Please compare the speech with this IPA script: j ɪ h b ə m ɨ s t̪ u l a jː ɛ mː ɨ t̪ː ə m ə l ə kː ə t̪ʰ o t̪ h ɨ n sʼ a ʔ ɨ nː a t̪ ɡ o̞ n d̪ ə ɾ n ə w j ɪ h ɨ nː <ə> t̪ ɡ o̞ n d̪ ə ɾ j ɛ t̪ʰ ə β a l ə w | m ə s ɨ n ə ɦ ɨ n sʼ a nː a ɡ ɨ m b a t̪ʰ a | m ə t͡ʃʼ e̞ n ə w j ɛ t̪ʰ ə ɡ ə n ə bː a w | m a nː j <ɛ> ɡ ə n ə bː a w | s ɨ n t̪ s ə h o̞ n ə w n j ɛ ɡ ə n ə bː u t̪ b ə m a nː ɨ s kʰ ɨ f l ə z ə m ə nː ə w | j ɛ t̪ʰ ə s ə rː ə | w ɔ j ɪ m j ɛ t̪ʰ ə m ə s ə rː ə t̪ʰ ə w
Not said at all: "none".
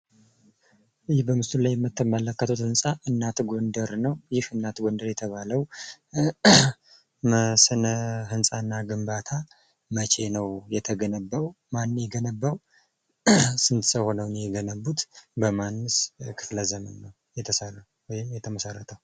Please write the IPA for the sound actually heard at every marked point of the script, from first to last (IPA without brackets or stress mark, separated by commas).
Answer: a, ɛ